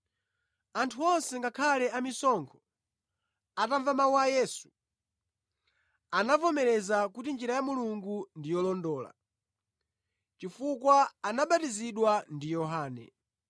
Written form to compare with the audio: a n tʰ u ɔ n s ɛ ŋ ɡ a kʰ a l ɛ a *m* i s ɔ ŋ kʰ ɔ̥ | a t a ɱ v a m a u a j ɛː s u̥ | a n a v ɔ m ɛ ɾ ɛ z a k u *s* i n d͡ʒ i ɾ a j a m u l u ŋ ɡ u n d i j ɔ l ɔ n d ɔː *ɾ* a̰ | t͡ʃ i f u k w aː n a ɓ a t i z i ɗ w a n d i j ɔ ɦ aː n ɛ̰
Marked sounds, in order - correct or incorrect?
correct, incorrect: t, incorrect: l

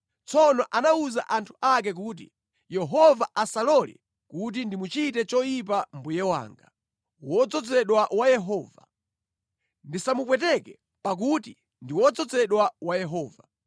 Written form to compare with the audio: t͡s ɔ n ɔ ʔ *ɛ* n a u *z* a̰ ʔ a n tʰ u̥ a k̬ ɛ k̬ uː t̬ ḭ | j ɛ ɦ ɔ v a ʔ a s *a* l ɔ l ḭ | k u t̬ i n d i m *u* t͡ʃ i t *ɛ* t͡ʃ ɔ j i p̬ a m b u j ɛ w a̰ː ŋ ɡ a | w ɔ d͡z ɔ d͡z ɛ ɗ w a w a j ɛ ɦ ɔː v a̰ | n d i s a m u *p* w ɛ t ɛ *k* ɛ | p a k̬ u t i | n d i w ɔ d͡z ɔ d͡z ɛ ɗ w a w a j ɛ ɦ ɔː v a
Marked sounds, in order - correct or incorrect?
incorrect: a, correct, correct, correct, correct, correct, correct

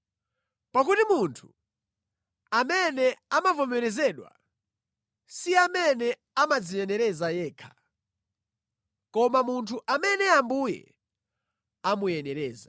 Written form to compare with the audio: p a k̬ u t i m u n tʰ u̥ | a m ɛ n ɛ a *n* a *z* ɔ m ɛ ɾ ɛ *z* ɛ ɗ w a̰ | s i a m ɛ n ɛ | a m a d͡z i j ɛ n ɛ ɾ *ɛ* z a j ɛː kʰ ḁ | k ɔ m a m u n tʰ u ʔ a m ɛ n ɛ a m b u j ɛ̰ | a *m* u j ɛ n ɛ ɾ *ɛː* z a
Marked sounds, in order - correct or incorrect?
incorrect: m, incorrect: v, correct, correct, correct, correct

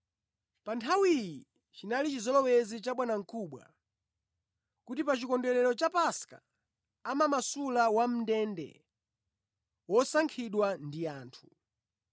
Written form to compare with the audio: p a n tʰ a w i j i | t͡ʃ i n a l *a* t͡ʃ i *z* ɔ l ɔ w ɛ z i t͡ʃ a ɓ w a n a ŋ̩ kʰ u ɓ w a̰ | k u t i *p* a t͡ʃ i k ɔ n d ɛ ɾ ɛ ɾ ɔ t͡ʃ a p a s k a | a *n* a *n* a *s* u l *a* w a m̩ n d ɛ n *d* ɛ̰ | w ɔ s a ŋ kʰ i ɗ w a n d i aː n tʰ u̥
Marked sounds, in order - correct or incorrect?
incorrect: i, correct, correct, incorrect: m, incorrect: m, correct, correct, correct

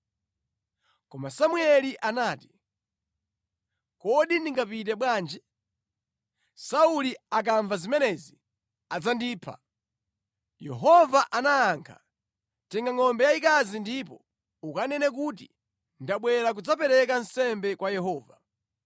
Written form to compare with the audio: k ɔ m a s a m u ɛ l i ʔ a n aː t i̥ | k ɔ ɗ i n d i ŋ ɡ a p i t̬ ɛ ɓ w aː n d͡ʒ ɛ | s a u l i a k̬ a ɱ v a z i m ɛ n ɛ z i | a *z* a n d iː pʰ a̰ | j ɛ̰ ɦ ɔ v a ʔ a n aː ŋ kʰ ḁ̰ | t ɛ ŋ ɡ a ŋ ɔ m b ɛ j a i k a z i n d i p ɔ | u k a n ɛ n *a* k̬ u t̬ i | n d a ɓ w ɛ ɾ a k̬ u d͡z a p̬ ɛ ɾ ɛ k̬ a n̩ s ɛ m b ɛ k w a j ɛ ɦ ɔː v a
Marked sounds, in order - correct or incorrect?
incorrect: d͡z, incorrect: ɛ

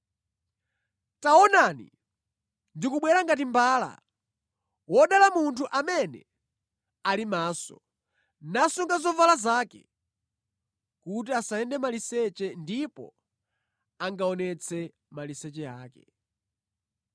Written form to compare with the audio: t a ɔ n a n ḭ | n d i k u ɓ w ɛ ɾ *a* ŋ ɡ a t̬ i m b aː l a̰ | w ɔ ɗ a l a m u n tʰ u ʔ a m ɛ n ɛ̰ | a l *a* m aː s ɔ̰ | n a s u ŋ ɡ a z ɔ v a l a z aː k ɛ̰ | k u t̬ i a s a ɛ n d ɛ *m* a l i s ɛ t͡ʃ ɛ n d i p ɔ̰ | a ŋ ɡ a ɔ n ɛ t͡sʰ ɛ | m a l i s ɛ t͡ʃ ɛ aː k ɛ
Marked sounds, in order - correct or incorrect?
correct, incorrect: i, correct

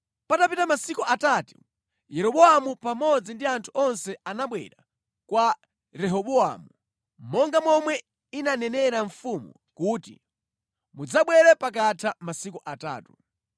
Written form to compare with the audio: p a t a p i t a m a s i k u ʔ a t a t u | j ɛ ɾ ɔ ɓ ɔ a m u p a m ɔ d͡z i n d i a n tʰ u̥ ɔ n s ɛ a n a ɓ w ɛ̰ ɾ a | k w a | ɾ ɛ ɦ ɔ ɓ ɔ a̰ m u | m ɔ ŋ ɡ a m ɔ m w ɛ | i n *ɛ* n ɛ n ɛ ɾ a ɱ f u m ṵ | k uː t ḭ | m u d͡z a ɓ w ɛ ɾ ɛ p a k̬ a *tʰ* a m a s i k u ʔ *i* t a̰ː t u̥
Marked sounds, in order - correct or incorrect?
incorrect: a, correct, incorrect: a

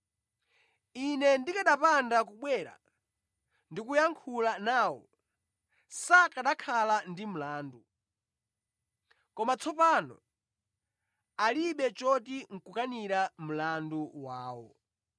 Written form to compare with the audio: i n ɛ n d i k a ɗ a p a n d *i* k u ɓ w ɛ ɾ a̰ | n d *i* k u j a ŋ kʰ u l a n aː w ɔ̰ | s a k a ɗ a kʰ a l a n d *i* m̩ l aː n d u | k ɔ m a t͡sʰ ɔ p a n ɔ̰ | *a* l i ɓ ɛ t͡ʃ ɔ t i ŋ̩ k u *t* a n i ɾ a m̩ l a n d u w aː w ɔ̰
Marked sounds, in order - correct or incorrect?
incorrect: a, correct, correct, correct, incorrect: k

